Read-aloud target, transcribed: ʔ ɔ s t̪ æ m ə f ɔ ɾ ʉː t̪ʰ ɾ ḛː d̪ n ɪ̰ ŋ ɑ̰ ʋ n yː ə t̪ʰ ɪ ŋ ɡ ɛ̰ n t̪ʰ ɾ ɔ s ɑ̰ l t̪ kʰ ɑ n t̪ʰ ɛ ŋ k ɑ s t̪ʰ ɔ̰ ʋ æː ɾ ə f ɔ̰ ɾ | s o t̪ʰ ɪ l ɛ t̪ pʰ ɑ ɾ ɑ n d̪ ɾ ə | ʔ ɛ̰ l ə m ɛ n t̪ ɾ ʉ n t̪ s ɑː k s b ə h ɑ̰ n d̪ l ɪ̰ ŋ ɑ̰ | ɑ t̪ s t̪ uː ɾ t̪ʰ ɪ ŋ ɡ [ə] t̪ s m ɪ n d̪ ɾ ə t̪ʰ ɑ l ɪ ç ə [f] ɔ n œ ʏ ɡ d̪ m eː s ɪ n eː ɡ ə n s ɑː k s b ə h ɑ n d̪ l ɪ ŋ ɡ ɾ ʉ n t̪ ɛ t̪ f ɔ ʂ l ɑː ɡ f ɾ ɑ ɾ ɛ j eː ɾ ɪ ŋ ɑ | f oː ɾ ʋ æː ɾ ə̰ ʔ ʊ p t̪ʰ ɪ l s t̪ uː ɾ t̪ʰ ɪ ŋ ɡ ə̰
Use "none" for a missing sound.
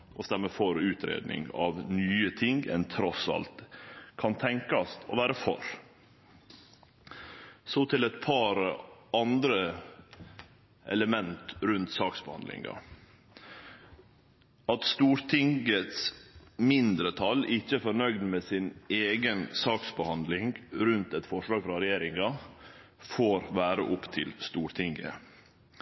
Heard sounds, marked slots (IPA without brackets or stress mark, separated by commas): ə, f